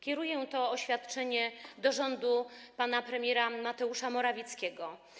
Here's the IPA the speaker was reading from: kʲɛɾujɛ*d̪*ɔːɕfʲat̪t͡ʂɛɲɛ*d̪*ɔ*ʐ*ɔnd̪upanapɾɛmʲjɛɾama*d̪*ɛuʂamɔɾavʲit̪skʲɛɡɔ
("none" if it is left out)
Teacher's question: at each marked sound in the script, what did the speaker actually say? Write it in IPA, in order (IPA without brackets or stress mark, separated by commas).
t̪, d̪, ʐ, t̪